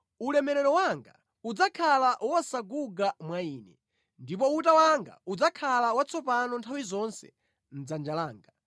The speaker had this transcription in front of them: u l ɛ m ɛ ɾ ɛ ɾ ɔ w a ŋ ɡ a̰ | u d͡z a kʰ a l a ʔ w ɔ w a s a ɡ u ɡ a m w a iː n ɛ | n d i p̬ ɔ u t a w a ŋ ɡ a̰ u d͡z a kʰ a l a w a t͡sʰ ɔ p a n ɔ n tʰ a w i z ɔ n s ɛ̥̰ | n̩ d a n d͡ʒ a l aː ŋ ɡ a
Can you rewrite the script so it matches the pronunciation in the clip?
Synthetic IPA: u l ɛ m ɛ ɾ ɛ ɾ ɔ w a ŋ ɡ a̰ | u d͡z a kʰ a l a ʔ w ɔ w a s a ɡ u ɡ a m w a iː n ɛ | n d i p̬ ɔ u t a w a ŋ ɡ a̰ u d͡z a kʰ a l a w a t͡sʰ ɔ p a n ɔ n tʰ a w i z ɔ n s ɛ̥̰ | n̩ d͡z a n d͡ʒ a l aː ŋ ɡ a